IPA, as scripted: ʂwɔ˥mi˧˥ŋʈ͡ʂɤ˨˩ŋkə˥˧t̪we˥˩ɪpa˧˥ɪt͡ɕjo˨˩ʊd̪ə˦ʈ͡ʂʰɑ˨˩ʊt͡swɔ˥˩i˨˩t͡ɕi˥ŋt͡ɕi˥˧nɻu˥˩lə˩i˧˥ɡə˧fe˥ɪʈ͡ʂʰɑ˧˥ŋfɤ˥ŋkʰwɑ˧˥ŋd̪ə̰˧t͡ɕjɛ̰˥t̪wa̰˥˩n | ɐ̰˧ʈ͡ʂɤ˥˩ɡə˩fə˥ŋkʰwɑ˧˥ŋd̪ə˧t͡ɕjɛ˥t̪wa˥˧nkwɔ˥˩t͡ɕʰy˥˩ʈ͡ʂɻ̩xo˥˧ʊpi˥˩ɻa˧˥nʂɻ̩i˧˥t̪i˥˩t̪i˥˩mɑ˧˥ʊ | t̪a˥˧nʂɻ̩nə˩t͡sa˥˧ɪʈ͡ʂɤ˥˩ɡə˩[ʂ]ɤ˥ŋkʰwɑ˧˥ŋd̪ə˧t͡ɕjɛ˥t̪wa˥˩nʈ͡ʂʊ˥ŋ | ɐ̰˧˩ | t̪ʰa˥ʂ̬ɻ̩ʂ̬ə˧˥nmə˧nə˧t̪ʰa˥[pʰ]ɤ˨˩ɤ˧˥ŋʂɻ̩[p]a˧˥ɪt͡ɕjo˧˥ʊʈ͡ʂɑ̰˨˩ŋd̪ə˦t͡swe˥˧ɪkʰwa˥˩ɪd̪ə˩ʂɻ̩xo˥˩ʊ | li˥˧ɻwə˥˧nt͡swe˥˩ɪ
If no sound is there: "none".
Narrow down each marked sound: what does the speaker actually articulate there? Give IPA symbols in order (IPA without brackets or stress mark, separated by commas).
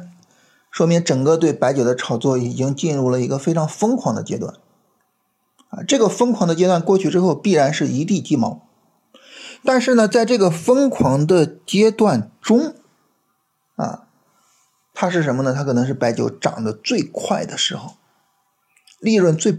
f, kʰ, p